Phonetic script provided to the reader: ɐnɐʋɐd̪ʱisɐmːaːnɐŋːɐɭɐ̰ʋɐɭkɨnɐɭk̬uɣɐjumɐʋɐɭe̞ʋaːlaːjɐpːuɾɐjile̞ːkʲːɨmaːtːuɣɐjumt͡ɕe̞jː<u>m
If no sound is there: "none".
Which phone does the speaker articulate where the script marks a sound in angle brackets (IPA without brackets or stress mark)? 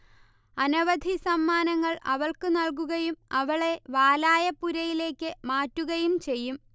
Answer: u